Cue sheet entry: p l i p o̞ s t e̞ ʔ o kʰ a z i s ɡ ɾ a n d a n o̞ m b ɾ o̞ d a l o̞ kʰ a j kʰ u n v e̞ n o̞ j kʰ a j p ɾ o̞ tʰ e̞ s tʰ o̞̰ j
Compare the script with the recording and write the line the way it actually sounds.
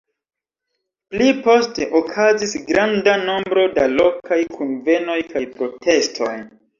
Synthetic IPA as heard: p l i p o̞ s t e̞ ʔ o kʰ a z i s ɡ ɾ a n d a n o̞ m b ɾ o̞ d a l o̞ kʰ a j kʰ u n v e̞ n o̞ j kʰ a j p ɾ o̞ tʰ e̞ s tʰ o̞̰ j